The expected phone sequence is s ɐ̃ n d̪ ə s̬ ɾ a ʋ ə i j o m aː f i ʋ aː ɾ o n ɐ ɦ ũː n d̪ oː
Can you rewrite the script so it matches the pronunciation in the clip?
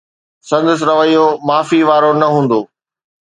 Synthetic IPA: s ɐ̃ n d̪ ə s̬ ɾ ɐ ʋ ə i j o m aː f i ʋ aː ɾ o n ɐ ɦ ũː n d̪ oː